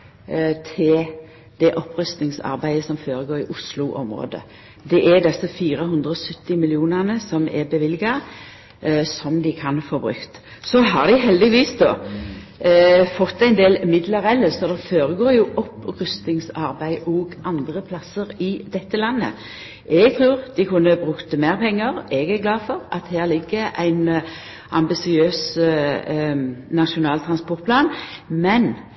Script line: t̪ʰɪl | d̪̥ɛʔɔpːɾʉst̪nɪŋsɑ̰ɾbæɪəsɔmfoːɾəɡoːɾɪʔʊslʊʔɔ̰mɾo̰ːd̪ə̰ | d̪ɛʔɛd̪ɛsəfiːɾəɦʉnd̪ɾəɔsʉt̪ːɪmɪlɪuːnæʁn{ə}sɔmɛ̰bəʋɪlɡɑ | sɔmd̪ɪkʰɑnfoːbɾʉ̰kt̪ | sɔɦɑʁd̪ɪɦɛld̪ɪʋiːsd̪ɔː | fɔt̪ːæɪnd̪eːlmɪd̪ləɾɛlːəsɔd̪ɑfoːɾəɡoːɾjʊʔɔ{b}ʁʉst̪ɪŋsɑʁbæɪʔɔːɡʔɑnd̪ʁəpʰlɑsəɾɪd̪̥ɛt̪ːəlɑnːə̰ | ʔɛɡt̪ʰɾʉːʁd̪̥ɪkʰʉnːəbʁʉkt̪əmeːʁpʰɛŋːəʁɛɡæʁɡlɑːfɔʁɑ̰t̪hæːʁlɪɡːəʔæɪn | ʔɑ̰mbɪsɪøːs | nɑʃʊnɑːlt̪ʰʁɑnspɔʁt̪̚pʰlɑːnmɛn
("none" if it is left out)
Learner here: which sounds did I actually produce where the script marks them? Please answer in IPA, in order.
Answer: ə, p

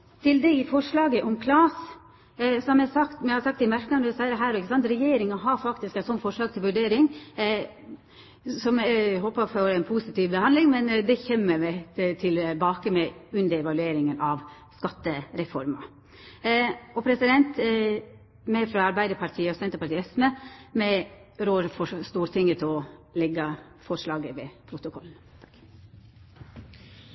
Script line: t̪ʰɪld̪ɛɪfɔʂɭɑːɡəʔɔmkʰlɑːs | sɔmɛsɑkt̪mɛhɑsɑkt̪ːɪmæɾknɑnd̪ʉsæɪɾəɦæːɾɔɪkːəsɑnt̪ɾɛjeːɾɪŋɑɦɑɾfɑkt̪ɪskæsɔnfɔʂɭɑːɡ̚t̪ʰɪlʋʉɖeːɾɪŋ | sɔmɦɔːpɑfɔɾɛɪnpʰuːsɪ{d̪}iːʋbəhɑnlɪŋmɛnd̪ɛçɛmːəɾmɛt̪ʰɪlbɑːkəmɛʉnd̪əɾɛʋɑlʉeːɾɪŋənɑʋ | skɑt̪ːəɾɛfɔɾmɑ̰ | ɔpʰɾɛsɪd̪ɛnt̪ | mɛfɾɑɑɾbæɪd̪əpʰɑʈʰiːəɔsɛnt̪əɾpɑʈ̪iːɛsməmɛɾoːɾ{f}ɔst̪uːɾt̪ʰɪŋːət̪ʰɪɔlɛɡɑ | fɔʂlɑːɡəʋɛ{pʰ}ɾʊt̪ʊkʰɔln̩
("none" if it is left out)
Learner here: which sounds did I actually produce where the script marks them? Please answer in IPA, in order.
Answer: t̪, f, pʰ

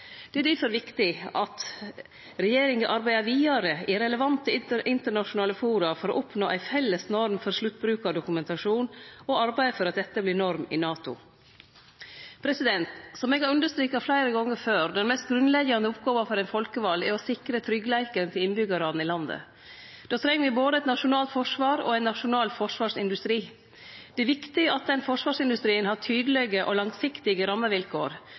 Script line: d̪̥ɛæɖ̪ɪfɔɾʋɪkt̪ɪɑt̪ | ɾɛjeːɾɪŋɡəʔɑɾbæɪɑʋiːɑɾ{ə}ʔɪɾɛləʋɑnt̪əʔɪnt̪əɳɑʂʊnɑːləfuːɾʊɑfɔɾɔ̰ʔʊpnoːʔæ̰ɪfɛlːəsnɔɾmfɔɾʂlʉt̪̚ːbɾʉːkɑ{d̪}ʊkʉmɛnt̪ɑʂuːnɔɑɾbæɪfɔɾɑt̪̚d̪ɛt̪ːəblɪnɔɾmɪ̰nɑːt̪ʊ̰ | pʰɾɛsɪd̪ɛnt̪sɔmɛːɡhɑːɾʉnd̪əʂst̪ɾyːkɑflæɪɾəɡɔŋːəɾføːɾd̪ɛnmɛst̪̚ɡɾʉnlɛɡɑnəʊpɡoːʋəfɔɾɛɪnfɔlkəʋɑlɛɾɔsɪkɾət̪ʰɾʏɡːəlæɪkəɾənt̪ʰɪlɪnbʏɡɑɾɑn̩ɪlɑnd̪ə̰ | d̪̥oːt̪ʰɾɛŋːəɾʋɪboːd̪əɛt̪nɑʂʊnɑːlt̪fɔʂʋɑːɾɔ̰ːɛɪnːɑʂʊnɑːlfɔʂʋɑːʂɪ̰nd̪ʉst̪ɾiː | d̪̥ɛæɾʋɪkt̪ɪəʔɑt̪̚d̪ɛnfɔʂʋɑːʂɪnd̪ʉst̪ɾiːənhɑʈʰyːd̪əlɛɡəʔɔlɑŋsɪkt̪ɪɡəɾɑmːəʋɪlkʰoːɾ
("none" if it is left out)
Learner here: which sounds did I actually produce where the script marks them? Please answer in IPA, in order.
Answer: ə, d̪

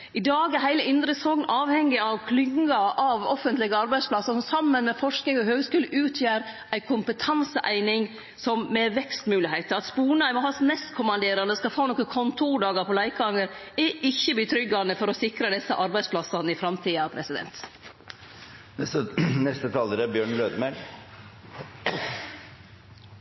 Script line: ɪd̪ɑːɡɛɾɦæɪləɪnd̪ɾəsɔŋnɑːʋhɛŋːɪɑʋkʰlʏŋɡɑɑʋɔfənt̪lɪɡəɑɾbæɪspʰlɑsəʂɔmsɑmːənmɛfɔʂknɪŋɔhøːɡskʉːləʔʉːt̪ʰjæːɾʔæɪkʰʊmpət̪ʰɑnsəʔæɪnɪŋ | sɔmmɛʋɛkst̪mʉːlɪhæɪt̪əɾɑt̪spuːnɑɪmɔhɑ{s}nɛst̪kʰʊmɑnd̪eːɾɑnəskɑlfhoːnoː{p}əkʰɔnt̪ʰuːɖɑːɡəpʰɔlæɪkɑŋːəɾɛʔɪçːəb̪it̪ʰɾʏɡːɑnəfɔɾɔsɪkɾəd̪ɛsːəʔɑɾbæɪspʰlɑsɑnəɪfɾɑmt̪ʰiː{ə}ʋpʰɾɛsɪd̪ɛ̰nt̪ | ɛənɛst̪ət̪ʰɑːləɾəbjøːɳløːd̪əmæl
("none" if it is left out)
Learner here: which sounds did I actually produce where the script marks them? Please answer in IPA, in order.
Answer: s, k, ɑ

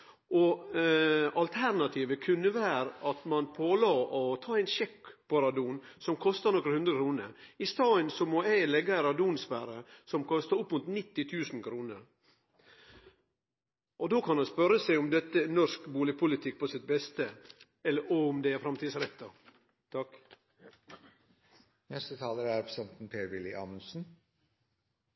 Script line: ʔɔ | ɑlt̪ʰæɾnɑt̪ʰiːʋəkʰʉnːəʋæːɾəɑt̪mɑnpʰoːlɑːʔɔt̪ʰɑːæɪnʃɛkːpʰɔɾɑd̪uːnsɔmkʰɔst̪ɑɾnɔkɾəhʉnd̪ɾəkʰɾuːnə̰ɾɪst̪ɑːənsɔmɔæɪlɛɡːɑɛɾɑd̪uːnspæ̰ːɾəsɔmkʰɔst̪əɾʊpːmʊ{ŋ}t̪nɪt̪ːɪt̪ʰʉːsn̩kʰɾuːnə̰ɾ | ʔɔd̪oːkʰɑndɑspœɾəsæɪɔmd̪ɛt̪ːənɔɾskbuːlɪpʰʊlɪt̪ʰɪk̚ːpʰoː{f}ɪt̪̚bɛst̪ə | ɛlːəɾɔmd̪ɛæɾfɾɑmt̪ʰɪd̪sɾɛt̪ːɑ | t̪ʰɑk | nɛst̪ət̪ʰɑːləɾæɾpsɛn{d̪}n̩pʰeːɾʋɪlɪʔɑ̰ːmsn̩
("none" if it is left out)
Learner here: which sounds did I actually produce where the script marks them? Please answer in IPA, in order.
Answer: n, s, t̪

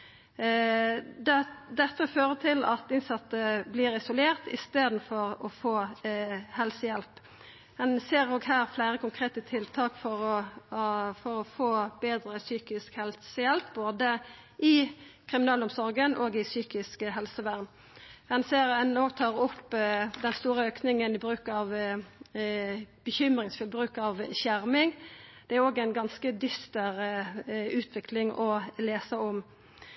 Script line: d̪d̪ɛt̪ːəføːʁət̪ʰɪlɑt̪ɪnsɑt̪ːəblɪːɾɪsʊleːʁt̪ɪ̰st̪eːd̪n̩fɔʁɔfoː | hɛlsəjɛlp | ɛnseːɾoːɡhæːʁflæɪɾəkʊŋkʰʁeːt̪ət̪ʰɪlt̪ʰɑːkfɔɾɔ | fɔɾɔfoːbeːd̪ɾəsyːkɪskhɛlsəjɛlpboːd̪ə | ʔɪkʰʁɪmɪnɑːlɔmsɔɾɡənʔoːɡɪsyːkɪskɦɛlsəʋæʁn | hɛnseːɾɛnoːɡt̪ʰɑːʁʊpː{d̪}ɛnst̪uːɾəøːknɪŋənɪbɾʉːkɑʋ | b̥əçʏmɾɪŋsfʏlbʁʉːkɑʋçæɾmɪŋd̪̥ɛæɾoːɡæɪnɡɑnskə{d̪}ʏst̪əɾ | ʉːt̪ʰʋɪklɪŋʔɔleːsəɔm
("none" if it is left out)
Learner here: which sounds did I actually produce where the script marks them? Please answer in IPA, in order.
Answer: d̪, d̪

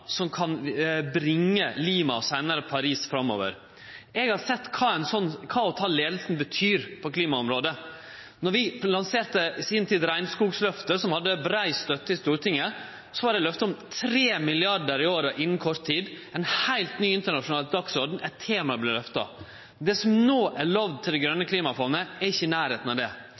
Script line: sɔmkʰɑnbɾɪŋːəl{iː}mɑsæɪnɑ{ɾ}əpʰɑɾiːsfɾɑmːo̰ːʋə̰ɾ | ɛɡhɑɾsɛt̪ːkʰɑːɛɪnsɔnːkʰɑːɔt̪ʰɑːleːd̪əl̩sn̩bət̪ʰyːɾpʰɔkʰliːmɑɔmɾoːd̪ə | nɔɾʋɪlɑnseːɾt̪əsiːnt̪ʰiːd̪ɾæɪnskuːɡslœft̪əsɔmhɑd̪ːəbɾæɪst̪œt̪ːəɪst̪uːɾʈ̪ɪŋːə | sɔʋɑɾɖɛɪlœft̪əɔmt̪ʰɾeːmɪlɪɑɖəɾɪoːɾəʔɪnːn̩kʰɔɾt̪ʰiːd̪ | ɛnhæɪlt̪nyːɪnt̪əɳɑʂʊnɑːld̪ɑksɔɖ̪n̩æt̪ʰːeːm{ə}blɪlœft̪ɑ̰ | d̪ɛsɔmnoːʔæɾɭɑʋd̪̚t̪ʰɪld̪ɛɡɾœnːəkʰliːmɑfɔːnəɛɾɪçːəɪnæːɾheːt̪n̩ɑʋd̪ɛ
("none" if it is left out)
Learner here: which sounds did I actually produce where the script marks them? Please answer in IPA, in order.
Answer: iː, ɾ, ɑ

